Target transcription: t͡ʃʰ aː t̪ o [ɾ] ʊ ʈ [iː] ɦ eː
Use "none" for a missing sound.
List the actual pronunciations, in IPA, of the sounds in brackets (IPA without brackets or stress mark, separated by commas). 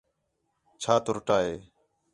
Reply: ɾ, aː